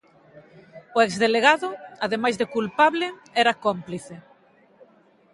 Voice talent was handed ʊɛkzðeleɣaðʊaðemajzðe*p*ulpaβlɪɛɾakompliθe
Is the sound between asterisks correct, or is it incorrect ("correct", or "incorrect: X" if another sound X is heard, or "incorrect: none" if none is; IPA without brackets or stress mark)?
incorrect: k